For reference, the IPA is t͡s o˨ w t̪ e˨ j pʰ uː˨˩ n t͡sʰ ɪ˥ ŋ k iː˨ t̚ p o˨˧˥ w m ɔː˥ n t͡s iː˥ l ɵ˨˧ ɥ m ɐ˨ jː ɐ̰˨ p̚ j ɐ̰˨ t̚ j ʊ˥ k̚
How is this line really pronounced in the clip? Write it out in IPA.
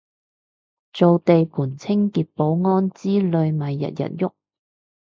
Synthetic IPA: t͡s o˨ w t̪ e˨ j pʰ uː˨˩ n t͡sʰ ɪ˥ ŋ k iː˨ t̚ p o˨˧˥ w ŋ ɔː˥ n t͡s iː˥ l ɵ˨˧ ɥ m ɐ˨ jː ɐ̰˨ t̚ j ɐ̰˨ t̚ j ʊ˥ k̚

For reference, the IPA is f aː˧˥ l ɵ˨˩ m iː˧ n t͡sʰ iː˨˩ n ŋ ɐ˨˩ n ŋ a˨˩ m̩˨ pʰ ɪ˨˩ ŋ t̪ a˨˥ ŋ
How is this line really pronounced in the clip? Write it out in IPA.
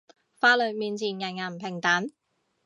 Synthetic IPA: f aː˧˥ l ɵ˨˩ m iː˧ n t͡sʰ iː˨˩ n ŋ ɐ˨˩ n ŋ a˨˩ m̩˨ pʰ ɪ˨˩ ŋ t̪ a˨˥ n

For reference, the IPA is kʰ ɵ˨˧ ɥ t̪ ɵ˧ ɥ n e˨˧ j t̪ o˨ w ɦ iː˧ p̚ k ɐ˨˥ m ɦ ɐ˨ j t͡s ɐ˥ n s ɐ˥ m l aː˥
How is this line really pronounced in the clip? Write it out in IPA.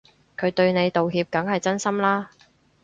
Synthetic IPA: kʰ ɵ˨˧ ɥ t̪ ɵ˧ ɥ n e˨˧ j t̪ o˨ w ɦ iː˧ p̚ k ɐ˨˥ ŋ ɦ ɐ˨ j t͡s ɐ˥ n s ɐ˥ m l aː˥

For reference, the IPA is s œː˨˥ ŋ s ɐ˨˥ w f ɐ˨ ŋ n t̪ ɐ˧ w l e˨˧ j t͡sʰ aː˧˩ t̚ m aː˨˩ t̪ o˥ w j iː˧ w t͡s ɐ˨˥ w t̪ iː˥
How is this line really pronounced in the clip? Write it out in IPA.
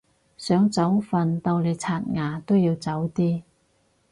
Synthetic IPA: s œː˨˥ ŋ t͡s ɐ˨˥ w f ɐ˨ n t̪ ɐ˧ w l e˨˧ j t͡sʰ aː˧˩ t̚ ŋ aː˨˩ t̪ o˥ w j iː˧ w t͡s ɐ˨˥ w t̪ iː˥

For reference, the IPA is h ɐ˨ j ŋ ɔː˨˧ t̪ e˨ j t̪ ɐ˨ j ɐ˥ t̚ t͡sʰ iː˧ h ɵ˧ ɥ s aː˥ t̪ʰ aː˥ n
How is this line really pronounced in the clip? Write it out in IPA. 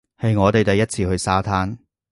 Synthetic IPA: h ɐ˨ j ŋ ɔː˨˧ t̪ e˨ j t̪ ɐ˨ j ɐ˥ t̚ t͡sʰ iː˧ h ɵ˧ ɥ s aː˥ t̪ʰ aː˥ n

